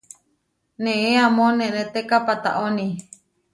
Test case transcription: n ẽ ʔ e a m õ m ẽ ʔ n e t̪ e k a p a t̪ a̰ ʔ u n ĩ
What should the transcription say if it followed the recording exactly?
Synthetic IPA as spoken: n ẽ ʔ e a m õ n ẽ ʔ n e t̪ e k a p a t̪ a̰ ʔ o n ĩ

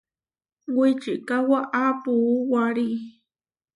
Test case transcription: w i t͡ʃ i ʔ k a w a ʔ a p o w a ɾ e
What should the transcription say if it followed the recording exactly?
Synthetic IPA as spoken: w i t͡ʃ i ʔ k a w a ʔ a p u w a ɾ i

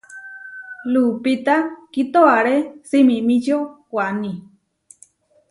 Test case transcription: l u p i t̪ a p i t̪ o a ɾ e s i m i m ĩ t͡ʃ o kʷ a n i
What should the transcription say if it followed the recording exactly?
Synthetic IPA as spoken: l u p i t̪ a k i t̪ o a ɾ e s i m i m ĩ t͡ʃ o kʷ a n i

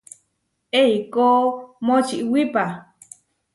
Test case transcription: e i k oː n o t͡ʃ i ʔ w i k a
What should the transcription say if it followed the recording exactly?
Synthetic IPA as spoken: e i k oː m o t͡ʃ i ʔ w i p a

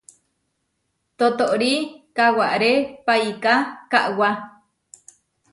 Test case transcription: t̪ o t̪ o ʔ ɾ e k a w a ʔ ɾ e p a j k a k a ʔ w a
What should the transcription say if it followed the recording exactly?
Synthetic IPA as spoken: t̪ o t̪ o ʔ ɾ i k a w a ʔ ɾ e p a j k a k a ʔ w a

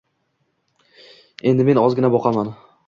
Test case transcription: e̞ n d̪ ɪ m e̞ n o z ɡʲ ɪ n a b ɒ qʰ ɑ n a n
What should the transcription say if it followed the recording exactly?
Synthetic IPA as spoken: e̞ n d̪ ɪ m e̞ n ɒ z ɡʲ ɪ n a b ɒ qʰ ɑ m a n

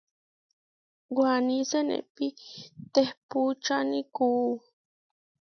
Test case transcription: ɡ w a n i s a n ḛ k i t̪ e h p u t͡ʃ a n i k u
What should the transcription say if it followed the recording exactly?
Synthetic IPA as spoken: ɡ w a n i s e n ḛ p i t̪ e h p u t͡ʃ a n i k u

